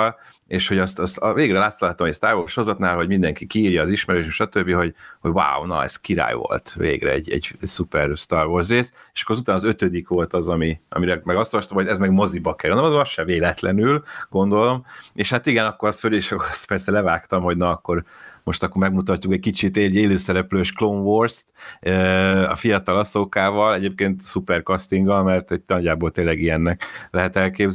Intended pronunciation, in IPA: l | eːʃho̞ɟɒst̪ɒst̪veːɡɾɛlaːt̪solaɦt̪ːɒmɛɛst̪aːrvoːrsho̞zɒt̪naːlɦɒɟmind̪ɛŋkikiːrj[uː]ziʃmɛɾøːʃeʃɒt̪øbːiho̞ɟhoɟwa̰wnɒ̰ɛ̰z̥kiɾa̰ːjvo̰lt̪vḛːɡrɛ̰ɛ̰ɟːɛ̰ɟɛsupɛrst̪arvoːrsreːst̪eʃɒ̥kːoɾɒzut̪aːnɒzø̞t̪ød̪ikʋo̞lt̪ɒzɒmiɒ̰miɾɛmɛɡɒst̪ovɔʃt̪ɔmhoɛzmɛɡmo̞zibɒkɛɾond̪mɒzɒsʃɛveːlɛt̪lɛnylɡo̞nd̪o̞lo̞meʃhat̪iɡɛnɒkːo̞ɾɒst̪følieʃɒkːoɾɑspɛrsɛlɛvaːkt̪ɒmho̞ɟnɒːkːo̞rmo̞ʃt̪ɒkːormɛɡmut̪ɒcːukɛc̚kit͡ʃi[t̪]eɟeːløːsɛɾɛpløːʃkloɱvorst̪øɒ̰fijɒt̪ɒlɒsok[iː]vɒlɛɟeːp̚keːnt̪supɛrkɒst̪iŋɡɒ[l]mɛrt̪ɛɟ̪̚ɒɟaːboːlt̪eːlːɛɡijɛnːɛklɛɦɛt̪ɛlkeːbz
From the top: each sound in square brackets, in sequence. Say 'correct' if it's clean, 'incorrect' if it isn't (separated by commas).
incorrect, correct, incorrect, correct